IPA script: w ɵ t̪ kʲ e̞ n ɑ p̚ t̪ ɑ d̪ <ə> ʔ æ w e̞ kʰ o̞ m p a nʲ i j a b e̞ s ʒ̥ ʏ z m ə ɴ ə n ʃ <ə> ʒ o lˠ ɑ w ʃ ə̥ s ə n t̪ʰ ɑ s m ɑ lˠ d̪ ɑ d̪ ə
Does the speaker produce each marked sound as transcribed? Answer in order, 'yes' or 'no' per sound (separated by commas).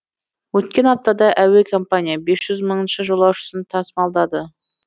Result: no, yes